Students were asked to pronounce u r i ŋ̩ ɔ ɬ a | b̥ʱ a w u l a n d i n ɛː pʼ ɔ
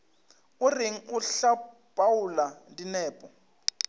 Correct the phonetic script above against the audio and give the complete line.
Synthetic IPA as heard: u r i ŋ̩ u ɬ a | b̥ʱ a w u l a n d i n ɛː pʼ ɔ